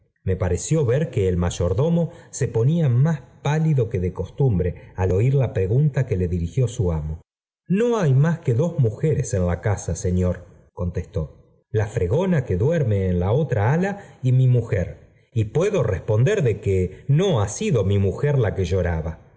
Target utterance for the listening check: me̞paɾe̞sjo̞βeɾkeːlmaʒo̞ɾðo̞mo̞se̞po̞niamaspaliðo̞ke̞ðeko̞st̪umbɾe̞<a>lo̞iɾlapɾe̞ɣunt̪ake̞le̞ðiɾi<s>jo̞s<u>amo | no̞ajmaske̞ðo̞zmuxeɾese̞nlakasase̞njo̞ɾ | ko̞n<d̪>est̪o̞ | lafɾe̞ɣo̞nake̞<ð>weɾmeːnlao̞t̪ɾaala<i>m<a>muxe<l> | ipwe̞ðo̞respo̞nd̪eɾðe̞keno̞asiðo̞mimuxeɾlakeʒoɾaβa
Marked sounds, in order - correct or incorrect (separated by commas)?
correct, incorrect, correct, incorrect, correct, correct, incorrect, incorrect